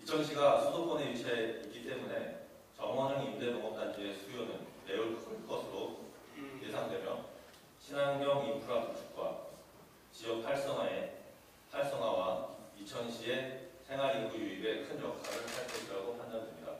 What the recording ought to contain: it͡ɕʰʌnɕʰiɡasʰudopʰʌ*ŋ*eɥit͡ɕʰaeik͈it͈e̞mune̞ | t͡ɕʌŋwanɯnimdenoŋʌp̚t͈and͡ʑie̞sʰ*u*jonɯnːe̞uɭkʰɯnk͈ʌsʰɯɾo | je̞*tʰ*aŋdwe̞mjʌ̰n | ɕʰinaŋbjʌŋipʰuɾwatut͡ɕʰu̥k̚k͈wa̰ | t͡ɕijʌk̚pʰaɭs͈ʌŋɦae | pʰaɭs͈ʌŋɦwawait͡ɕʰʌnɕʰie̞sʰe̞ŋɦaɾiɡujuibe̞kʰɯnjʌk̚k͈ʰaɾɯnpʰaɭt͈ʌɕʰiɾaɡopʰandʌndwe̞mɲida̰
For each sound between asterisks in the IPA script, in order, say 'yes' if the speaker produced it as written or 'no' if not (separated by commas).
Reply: no, yes, no